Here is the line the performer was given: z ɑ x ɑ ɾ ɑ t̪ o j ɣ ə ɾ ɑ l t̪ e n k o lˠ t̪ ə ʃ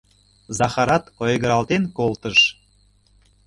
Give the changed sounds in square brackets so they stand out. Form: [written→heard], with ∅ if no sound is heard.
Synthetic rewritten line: z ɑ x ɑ ɾ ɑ t̪ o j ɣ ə ɾ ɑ l t̪ e n k o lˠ t̪ ə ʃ